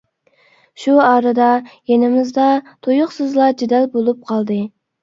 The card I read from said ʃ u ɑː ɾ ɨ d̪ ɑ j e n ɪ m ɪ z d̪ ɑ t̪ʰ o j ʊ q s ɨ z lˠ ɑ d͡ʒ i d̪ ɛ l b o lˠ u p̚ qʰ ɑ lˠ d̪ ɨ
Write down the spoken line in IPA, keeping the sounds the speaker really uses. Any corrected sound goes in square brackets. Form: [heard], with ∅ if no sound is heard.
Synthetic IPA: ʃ u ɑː ɾ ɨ d̪ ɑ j e n ɪ m ɪ z d̪ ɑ t̪ʰ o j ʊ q s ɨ z lˠ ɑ d͡ʒ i d̪ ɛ l b o lˠ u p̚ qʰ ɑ lˠ d̪ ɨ